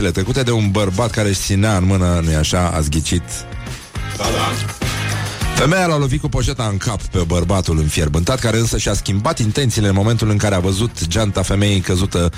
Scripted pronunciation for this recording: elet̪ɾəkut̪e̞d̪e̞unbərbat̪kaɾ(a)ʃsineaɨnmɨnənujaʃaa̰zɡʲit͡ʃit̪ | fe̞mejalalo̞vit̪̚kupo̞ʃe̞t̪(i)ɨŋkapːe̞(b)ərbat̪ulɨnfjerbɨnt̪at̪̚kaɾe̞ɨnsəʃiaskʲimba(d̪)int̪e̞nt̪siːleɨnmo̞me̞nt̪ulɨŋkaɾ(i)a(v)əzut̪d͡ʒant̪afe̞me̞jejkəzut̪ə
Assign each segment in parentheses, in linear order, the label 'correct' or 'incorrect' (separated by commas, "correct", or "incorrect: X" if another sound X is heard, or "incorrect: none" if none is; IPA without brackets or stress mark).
incorrect: e, incorrect: a, correct, incorrect: t̪, incorrect: e, correct